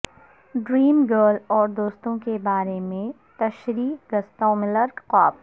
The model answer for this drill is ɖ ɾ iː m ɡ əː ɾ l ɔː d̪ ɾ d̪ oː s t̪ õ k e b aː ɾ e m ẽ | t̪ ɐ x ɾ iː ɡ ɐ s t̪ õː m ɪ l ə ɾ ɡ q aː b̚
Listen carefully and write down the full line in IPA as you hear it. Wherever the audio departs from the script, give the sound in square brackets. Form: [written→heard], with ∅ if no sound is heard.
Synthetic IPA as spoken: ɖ ɾ iː m ɡ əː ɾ l ɔː [d̪→∅] ɾ d̪ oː s t̪ õ k e b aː ɾ e m ẽ | t̪ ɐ [x→ʃ] ɾ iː ɡ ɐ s t̪ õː m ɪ l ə ɾ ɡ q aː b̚

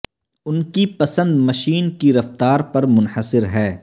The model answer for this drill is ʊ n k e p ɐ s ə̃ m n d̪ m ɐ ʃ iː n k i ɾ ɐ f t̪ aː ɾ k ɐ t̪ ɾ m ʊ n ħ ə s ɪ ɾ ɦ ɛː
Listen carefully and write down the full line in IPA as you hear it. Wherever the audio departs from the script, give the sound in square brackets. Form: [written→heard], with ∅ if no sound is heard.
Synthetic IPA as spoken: ʊ n k [e→i] p ɐ s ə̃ [m→∅] n d̪ m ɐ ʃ iː n k i ɾ ɐ f t̪ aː ɾ [k→p] ɐ [t̪→∅] ɾ m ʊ n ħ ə s ɪ ɾ ɦ ɛː

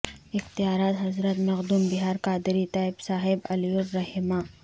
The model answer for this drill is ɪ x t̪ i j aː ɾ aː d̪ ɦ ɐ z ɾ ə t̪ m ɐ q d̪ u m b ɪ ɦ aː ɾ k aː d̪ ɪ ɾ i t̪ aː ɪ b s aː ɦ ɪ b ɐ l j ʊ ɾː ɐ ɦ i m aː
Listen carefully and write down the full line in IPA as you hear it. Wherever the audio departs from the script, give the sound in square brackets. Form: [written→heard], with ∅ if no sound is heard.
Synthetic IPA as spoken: ɪ x t̪ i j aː ɾ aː [d̪→t̪] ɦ ɐ z ɾ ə t̪ m ɐ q d̪ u m b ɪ ɦ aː ɾ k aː d̪ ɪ ɾ i t̪ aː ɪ b s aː ɦ ɪ b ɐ l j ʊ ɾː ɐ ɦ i m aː

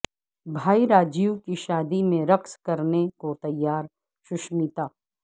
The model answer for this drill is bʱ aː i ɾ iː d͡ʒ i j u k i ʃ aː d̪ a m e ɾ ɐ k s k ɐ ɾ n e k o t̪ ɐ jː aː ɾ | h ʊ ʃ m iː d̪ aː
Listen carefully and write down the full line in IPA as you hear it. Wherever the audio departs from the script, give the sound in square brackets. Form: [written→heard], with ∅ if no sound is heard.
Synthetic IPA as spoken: bʱ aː i ɾ [iː→aː] d͡ʒ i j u k i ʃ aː d̪ [a→i] m [e→ẽ] ɾ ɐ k s k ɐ ɾ n e k o t̪ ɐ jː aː ɾ | [h→ʃ] ʊ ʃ m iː [d̪→t̪] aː

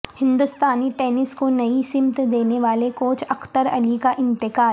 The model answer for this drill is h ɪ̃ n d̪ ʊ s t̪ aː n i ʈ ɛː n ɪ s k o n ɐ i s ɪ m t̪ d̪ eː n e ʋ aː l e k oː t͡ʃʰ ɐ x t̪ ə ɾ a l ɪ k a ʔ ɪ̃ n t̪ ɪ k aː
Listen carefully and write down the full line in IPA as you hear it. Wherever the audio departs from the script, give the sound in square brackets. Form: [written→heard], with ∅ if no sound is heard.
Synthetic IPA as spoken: h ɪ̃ n d̪ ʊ s t̪ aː n i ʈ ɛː n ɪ s k o n ɐ i s ɪ m t̪ d̪ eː n e ʋ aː l e k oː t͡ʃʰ ɐ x t̪ ə ɾ [a→ɐ] l [ɪ→i] k a ʔ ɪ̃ n t̪ ɪ k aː

